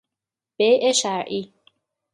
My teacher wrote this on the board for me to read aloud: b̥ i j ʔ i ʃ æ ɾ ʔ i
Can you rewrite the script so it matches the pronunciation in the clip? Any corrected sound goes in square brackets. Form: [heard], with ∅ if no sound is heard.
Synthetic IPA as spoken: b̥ [e] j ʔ [e] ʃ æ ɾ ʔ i